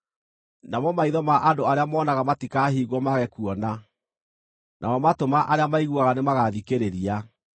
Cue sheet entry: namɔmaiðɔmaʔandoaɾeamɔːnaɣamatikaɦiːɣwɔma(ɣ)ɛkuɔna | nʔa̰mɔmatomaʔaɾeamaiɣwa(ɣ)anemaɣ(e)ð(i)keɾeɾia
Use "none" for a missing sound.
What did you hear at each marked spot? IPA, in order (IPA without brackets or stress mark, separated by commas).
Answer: ɣ, ɣ, a, i